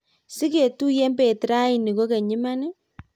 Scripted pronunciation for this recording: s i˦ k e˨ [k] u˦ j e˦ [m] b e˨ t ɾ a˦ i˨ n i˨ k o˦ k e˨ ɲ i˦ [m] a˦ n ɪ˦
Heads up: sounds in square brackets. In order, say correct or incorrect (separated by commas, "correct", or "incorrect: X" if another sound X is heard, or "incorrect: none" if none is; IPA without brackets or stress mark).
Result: incorrect: t, correct, correct